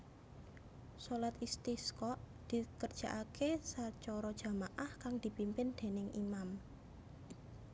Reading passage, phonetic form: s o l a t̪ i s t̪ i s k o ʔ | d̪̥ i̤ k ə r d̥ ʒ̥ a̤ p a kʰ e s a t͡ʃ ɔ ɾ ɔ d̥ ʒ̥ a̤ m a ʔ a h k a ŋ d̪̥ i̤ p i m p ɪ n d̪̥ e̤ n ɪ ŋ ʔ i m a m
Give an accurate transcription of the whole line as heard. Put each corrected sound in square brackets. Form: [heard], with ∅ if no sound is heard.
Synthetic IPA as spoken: s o l a t̪ i s t̪ i s k [ɔ] ʔ | d̪̥ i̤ k ə r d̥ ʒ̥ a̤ [ʔ] a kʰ e s a t͡ʃ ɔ ɾ ɔ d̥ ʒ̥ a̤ m a ʔ a h k a ŋ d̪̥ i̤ p i m p ɪ n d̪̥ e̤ n ɪ ŋ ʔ i m a m